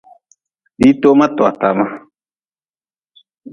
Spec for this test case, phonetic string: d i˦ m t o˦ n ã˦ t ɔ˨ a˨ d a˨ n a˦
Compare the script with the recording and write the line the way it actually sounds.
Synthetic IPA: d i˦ t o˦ m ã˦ t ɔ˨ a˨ t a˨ m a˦